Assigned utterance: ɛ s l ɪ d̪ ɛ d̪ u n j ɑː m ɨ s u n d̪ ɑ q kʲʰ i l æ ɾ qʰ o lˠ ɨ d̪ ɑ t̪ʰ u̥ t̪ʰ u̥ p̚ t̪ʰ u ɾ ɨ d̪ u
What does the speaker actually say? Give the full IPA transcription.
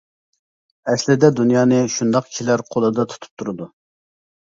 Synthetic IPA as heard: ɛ s l ɪ d̪ ɛ d̪ u n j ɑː n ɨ ʃ u n d̪ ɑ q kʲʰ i l æ ɾ qʰ o lˠ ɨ d̪ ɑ t̪ʰ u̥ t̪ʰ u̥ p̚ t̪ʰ u ɾ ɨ d̪ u